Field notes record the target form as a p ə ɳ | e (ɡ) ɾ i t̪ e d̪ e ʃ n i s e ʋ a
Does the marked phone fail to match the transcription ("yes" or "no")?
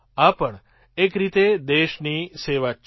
yes